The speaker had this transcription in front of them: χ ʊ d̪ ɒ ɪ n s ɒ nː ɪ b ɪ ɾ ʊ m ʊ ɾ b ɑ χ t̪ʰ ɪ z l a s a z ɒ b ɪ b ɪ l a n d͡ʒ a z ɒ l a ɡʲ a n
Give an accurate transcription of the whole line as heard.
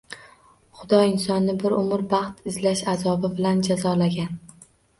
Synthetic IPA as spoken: χ ʊ d̪ ɒ ɪ n s ɒ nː ɪ b ɪ ɾ ʊ m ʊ ɾ b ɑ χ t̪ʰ ɪ z l a ʃ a z ɒ b ɪ b ɪ l a n d͡ʒ a z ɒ l a ɡʲ a n